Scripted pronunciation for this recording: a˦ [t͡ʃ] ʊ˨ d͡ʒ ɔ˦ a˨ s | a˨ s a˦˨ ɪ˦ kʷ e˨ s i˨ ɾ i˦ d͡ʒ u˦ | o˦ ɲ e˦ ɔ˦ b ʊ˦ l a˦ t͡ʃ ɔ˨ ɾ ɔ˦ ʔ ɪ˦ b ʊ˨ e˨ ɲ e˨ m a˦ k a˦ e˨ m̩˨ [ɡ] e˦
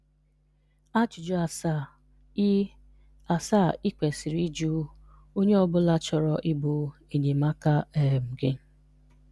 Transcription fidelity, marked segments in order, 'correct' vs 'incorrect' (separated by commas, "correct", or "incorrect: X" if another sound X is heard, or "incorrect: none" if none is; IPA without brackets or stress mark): correct, correct